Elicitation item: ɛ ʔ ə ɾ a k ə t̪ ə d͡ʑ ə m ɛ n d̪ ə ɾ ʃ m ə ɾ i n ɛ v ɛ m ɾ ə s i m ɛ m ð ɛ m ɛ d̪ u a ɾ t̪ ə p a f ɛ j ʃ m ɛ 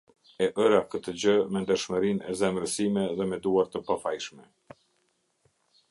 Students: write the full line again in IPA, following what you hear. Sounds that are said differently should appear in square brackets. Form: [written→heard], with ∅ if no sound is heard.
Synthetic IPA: ɛ ʔ ə ɾ a k ə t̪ ə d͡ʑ ə m ɛ n d̪ ə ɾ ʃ m ə ɾ i n ɛ [v→z] ɛ m ɾ ə s i m ɛ [m→∅] ð ɛ m ɛ d̪ u a ɾ t̪ ə p a f [ɛ→a] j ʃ m ɛ